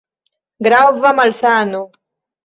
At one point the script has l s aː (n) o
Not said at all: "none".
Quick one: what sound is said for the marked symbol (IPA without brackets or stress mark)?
n